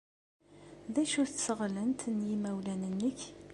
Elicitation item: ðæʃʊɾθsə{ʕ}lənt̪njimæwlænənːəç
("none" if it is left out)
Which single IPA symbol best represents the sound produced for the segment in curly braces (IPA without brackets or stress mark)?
ʁ